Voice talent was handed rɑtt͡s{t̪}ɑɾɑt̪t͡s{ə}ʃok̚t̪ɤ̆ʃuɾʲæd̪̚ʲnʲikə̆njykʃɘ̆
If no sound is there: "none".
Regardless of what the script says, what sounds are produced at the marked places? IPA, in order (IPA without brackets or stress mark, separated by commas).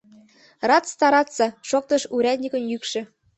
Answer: t̪, ɑ